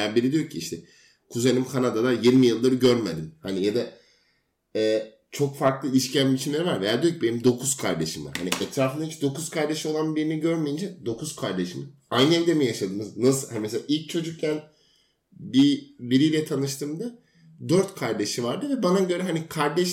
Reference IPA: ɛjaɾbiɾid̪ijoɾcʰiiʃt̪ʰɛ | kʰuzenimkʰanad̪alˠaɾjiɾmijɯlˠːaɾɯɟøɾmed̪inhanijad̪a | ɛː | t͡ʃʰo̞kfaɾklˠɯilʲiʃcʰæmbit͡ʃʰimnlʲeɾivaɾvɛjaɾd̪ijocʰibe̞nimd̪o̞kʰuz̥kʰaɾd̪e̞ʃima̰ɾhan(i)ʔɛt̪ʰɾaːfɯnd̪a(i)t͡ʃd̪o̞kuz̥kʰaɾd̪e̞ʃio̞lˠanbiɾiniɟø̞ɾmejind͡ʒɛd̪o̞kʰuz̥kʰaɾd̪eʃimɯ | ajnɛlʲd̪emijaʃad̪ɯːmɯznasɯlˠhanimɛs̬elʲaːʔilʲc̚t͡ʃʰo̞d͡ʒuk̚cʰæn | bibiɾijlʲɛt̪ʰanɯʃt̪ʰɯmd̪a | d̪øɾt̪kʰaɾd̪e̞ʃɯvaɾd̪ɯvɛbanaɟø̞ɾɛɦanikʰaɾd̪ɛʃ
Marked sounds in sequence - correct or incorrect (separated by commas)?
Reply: correct, correct